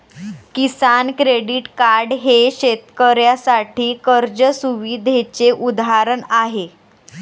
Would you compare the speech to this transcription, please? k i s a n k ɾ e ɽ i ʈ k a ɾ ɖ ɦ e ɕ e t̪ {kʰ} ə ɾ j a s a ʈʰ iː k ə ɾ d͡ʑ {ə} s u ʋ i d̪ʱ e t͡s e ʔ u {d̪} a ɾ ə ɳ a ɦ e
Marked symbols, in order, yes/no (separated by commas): no, yes, yes